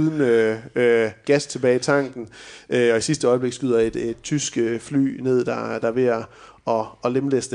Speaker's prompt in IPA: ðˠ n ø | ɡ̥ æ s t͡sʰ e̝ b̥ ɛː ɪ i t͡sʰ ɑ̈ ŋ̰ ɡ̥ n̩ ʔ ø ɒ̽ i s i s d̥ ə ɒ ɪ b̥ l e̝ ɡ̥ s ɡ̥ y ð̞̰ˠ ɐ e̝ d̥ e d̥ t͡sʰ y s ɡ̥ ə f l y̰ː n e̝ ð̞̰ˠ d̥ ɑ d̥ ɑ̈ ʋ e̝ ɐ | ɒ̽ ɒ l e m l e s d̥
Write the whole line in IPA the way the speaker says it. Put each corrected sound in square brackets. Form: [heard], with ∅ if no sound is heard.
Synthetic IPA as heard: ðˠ n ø | ɡ̥ æ s t͡sʰ e̝ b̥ ɛː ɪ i t͡sʰ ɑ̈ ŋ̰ ɡ̥ n̩ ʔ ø ɒ̽ i s i s d̥ ə ɒ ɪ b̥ l e̝ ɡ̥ s ɡ̥ y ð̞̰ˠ ɐ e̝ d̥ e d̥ t͡sʰ y s ɡ̥ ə f l y̰ː n e̝ ð̞̰ˠ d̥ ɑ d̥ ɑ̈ ʋ e̝ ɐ | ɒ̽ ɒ l e m l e s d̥